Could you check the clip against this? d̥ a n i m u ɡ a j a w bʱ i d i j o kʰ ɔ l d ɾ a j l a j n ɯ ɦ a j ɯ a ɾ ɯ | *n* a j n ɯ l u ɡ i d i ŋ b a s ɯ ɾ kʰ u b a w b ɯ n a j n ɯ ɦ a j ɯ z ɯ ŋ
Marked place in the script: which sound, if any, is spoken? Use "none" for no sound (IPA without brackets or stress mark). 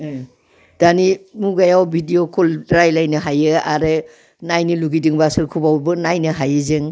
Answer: n